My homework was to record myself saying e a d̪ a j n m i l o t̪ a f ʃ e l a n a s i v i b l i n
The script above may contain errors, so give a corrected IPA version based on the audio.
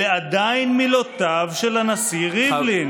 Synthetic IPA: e a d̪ a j n m i l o t̪ a v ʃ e l a n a s i ʁ i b l i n

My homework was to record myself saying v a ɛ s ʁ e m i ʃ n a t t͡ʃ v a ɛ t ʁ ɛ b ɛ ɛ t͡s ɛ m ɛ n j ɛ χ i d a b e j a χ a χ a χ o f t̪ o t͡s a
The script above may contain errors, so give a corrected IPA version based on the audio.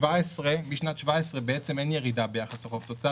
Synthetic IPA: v a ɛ s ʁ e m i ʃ n a t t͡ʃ v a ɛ s ʁ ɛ b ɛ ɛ t͡s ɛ m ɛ n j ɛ ʁ i d a b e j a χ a s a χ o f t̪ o t͡s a

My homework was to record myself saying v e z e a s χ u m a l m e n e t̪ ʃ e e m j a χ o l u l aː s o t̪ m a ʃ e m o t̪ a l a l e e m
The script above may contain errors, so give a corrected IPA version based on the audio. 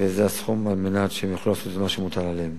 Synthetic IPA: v e z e a s χ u m a l m e n a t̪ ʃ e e m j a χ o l u l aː s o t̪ m a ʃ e m u t̪ a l a l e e m

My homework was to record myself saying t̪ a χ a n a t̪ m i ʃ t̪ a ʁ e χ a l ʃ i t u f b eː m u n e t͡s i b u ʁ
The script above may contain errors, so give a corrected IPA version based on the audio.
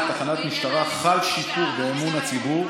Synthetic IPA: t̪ a χ a n a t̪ m i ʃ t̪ a ʁ a χ a l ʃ i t u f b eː m u n a t͡s i b u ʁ

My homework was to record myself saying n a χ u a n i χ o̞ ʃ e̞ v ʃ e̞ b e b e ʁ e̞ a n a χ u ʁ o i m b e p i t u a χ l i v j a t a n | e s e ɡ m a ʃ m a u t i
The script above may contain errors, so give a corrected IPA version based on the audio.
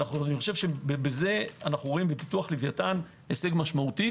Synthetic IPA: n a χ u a n i χ o̞ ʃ e̞ v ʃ e̞ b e b e z e̞ a n a χ u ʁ o i m b e p i t u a χ l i v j a t a n | e s e ɡ m a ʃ m a u t i

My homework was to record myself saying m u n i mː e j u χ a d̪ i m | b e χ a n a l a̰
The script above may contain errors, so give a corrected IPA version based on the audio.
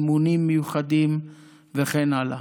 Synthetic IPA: m u n i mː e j u χ a d̪ i m | v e χ e n a l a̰

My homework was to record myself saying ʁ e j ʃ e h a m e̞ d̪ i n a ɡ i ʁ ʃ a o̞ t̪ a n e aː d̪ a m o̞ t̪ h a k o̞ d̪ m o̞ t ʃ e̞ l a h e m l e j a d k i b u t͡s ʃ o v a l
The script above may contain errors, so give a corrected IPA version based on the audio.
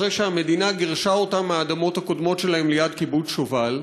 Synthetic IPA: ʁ e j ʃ e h a m e̞ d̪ i n a ɡ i ʁ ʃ a o̞ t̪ a m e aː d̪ a m o̞ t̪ h a k o̞ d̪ m o̞ t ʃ e̞ l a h e m l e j a d k i b u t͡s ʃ o v a l

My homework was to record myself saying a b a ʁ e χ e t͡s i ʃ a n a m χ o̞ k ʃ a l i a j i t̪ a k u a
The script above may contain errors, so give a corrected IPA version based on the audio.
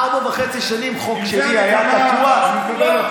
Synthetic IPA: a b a v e χ e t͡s i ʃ a n i m χ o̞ k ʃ e l i a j a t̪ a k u a

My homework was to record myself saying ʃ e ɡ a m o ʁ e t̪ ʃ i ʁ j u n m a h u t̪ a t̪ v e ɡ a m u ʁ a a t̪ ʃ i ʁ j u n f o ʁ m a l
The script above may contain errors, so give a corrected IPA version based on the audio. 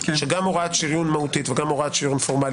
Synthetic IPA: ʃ e ɡ a m o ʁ a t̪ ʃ i ʁ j u n m a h u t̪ i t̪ v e ɡ a m o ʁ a a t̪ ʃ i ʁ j u n f o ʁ m a l

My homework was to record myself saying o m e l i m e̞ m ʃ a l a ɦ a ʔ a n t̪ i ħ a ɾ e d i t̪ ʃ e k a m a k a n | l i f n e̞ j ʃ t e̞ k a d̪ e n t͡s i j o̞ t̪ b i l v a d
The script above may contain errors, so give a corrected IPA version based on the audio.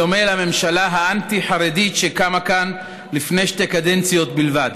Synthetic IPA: o m e l a m e̞ m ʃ a l a ɦ a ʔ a n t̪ i ħ a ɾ e d i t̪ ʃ e k a m a k a n | l i f n e̞ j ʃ t e̞ k a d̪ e n t͡s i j o̞ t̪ b i l v a d

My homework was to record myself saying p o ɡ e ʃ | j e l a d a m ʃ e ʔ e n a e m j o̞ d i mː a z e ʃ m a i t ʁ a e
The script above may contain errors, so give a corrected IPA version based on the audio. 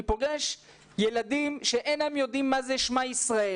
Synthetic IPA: p o ɡ e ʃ | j e l a d i m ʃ e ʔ e n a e m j o̞ d i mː a z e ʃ m a i s ʁ a e

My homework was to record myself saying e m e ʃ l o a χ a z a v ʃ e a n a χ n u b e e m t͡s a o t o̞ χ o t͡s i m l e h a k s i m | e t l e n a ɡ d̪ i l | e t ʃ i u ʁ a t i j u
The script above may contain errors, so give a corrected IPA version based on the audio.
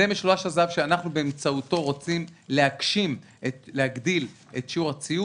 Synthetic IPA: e m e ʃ l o a ʃ a z a v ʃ e a n a χ n u b e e m t͡s a u t o̞ ʁ o t͡s i m l e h a k ʃ i m | e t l e a ɡ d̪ i l | e t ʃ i u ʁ a t͡s i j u

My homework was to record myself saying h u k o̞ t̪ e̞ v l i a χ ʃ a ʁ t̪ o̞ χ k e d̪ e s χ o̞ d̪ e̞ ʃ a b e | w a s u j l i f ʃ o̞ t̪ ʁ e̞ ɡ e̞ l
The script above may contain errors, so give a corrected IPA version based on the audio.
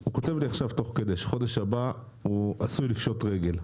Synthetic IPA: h u k o̞ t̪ e̞ v l i a χ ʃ a v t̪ o̞ χ k e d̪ e ʃ χ o̞ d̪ e̞ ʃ a b a | u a s u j l i f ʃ o̞ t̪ ʁ e̞ ɡ e̞ l

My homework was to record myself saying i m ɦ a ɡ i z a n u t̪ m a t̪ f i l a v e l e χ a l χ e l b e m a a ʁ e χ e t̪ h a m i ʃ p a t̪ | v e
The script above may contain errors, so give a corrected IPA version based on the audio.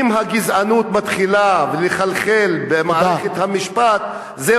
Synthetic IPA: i m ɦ a ɡ i z a n u t̪ m a t̪ χ i l a v e l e χ a l χ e l b e m a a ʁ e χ e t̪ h a m i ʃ p a t̪ | z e

